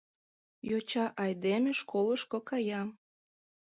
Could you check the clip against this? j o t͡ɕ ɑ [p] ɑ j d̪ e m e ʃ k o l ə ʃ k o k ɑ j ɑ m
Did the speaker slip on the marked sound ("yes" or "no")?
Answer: yes